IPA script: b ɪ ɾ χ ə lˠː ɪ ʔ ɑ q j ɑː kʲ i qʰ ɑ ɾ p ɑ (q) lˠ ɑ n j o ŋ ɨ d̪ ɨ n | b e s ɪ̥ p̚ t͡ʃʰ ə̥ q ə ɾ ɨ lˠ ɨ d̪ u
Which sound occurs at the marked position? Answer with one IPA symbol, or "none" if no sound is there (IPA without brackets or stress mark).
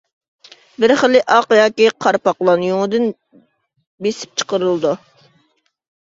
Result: q